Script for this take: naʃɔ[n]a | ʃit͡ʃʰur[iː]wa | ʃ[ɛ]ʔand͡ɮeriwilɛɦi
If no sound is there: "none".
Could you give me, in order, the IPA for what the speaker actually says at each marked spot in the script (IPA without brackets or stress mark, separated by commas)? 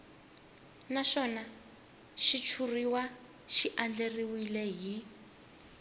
n, i, i